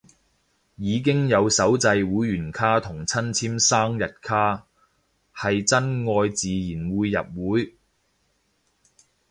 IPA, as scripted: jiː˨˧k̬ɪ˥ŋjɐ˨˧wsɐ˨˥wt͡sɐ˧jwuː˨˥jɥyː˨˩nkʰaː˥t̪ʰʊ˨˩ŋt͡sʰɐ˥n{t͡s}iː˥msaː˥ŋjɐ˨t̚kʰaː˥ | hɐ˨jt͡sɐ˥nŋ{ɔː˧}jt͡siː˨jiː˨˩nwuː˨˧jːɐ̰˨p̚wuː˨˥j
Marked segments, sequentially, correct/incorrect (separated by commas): incorrect, correct